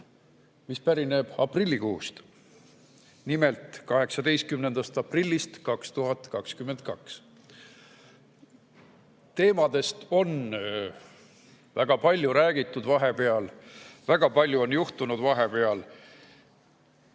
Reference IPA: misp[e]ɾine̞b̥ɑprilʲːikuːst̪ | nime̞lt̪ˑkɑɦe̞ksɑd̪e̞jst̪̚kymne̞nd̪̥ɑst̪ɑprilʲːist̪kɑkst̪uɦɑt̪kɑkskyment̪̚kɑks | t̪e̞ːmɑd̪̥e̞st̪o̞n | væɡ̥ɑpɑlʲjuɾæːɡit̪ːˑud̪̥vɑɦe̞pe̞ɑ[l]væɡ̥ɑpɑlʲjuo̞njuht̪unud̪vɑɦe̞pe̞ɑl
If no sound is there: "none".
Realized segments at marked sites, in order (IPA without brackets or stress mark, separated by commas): æ, l